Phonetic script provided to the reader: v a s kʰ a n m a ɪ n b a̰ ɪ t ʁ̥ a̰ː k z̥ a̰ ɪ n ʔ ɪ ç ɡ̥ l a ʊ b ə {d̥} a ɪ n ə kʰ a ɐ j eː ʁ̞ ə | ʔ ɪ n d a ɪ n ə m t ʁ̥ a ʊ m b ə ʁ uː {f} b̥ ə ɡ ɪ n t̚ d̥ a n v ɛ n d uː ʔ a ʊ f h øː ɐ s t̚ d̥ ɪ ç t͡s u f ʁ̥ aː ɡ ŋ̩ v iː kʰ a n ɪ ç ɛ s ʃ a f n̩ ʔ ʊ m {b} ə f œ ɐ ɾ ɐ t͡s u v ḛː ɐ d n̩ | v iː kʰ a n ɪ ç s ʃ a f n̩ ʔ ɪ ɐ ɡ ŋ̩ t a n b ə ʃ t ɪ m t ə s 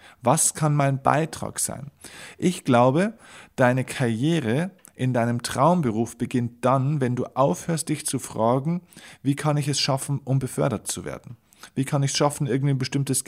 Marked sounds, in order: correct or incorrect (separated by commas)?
correct, correct, correct